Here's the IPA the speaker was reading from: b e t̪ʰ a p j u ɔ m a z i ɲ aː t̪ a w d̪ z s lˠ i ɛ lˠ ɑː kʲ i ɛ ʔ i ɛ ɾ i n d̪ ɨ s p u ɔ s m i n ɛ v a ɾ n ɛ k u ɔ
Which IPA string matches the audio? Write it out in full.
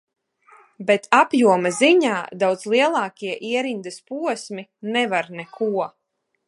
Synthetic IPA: b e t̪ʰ a p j u ɔ m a z i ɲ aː d̪ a w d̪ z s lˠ i ɛ lˠ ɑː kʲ i ɛ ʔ i ɛ ɾ i n d̪ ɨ s p u ɔ s m i n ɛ v a ɾ n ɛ k u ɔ